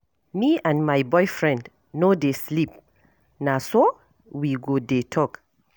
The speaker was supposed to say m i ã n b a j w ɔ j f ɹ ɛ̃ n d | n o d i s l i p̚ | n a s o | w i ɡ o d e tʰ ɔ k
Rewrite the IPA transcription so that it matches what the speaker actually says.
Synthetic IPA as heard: m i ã n m a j b ɔ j f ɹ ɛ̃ n d | n o d e s l i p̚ | n a s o | w i ɡ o d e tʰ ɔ k